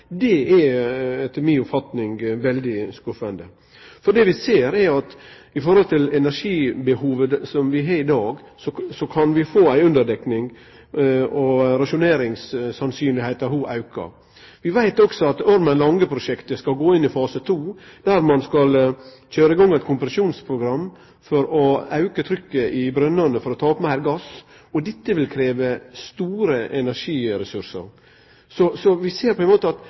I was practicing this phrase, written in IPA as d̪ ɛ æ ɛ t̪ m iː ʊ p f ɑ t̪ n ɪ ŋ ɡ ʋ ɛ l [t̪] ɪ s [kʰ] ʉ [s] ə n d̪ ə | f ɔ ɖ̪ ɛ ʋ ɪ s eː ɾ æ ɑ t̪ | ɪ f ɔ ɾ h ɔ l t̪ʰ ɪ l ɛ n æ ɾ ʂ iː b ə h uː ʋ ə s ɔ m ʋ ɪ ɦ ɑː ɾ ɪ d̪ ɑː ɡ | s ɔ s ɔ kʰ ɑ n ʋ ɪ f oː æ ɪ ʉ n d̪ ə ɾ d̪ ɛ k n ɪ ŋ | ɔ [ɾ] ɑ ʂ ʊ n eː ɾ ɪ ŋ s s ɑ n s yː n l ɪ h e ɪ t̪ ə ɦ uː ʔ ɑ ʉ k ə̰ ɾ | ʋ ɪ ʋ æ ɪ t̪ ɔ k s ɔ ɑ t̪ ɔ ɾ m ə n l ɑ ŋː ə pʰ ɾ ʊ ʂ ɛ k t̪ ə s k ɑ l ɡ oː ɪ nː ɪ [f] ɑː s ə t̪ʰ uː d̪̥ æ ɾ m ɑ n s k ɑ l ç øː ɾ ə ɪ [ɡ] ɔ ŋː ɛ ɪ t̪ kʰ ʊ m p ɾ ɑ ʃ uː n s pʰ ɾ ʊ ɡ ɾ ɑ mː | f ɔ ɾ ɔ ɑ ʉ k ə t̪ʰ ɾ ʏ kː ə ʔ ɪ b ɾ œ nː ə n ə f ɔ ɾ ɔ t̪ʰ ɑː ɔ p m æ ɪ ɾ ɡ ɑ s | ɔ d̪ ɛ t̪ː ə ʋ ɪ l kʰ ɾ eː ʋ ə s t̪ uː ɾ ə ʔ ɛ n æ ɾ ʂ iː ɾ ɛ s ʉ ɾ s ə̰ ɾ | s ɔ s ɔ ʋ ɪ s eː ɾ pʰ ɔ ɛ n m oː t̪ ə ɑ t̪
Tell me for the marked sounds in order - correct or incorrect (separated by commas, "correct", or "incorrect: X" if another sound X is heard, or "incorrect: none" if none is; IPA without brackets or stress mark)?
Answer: incorrect: d̪, incorrect: k, incorrect: f, correct, correct, correct